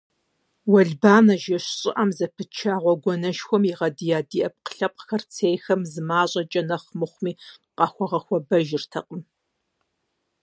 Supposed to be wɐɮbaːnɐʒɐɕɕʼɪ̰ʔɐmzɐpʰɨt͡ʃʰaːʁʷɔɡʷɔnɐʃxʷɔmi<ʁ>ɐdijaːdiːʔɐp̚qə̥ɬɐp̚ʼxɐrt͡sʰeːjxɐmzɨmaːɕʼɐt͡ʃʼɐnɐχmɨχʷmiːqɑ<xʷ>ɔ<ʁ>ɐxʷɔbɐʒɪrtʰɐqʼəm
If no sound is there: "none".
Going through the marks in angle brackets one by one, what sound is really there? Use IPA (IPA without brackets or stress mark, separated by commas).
ʁ, xʷ, ʁ